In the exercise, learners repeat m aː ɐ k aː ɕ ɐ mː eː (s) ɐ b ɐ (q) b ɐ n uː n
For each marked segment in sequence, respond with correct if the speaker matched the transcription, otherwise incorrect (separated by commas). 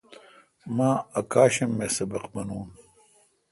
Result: correct, correct